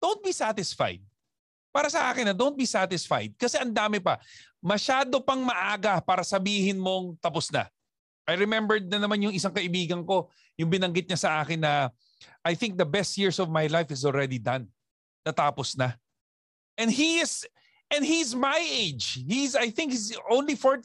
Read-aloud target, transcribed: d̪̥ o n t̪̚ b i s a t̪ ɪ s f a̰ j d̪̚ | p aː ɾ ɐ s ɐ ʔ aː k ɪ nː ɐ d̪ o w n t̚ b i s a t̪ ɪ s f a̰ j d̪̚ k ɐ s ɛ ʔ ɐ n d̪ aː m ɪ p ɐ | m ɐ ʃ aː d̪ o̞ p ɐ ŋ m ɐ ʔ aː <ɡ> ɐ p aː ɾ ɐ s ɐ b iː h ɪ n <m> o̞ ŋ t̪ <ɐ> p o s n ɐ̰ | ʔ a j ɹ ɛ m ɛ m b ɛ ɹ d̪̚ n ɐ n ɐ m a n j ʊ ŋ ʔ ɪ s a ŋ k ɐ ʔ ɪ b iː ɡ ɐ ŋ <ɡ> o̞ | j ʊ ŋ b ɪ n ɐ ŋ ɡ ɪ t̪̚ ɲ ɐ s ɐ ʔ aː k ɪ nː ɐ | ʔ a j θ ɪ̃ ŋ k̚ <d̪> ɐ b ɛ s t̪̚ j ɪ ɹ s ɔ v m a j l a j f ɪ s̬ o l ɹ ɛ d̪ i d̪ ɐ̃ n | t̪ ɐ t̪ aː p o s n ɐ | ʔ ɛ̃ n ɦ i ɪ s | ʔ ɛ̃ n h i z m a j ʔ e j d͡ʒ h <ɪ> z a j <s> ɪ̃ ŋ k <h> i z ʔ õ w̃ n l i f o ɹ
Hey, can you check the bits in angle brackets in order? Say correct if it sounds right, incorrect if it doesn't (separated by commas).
correct, correct, correct, incorrect, correct, incorrect, incorrect, correct